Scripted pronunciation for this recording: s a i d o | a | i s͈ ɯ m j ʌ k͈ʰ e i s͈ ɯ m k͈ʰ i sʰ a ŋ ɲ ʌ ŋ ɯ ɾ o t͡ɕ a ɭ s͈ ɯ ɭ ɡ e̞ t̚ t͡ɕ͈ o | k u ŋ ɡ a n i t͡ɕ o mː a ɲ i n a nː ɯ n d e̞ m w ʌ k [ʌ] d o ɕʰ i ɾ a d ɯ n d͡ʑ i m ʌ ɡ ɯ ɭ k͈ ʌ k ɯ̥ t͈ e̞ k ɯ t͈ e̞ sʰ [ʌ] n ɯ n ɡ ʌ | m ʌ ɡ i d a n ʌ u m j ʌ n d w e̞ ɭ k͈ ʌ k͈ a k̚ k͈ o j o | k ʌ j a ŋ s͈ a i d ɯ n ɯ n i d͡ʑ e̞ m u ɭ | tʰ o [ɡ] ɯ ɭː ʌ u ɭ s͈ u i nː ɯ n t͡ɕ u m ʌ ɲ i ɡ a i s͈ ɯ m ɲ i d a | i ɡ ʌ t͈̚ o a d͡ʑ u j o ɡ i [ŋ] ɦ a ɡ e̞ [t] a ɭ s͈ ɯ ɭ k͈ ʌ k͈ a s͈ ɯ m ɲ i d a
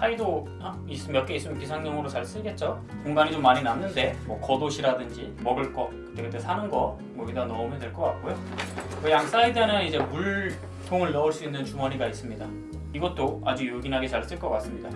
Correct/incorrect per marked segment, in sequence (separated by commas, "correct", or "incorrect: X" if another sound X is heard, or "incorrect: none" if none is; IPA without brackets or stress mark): correct, incorrect: a, incorrect: ŋ, incorrect: n, incorrect: t͡ɕ